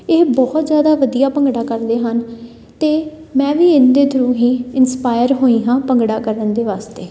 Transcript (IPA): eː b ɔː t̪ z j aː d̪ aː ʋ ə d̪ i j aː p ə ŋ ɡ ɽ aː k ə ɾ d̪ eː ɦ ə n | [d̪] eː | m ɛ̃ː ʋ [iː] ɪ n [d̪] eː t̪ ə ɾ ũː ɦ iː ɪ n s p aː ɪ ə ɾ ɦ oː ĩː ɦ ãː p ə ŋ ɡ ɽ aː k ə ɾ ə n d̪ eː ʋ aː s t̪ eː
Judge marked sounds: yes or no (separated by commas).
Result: no, yes, yes